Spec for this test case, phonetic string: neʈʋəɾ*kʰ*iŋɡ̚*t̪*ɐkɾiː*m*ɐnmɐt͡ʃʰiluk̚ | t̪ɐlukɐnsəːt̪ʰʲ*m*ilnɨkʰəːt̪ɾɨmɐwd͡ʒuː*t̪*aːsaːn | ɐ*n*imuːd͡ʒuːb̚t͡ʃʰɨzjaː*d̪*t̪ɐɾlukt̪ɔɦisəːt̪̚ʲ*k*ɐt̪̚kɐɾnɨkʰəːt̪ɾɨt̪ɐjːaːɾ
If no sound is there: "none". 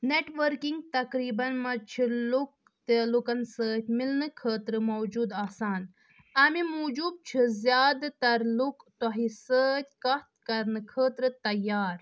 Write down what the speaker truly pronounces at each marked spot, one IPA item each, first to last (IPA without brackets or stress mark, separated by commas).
k, t̪, b, m, d̪, m, d̪, k